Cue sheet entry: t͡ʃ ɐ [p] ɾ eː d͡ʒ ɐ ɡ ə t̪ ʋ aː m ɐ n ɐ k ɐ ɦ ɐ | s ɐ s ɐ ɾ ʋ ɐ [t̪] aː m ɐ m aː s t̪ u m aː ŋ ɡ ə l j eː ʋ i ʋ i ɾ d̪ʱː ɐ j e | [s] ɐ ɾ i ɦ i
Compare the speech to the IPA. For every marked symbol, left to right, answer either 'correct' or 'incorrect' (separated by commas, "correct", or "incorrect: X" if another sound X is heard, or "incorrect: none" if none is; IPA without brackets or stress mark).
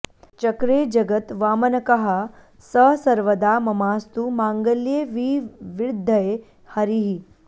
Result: incorrect: k, incorrect: d̪, incorrect: h